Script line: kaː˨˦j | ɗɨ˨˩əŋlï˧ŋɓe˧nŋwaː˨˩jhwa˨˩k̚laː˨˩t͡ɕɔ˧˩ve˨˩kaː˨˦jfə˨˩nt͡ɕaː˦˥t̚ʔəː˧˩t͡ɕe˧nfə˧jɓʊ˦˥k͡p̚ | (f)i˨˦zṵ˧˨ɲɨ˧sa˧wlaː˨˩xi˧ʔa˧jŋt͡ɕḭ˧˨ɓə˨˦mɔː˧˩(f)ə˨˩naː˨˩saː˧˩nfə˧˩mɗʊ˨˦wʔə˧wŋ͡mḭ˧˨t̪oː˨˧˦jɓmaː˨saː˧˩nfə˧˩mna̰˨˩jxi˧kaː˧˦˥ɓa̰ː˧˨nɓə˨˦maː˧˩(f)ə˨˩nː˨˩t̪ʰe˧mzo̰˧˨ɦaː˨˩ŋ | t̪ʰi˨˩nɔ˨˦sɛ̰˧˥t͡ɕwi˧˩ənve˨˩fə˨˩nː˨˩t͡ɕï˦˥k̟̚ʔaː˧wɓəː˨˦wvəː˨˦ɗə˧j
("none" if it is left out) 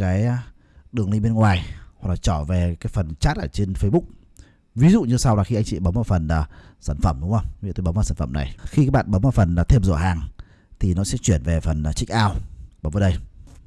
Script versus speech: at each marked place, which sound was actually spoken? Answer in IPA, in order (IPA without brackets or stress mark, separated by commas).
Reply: v, f, f